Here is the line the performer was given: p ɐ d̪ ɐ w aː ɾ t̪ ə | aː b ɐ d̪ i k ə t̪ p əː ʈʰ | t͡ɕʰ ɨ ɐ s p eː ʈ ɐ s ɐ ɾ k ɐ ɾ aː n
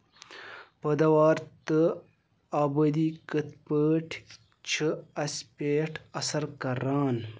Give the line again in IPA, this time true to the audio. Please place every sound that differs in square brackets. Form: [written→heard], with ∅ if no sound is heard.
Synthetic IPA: p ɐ d̪ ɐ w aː ɾ t̪ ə | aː b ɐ d̪ i k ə t̪ p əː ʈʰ | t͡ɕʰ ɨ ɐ s p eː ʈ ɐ s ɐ ɾ k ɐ ɾ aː n